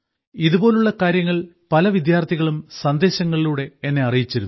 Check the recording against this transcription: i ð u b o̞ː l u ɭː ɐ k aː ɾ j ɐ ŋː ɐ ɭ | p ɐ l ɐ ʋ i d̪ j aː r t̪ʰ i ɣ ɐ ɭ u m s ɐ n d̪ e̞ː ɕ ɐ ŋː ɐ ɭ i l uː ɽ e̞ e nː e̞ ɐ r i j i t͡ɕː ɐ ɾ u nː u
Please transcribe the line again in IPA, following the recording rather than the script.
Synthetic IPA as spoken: i ð u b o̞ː l u ɭː ɐ k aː ɾ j ɐ ŋː ɐ ɭ | p ɐ l ɐ ʋ i d̪ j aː r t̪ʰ i ɣ ɐ ɭ u m s ɐ n d̪ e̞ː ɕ ɐ ŋː ɐ ɭ i l uː ɽ e̞ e nː e̞ ɐ r i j i t͡ɕː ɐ ɾ u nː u